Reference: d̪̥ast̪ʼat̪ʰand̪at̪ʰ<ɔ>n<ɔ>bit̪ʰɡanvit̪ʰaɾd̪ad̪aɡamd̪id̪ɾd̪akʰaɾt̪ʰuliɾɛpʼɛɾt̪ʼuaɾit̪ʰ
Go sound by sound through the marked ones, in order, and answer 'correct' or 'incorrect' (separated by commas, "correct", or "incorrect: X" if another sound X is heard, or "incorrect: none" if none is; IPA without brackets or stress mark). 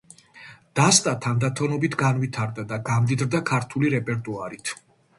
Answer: correct, correct